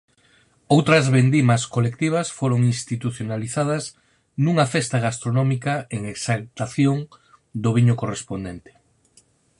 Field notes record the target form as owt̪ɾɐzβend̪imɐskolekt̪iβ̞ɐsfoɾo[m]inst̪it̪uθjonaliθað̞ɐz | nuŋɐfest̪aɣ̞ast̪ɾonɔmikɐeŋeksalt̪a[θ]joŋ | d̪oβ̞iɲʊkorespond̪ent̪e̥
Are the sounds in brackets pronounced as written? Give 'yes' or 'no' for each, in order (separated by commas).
no, yes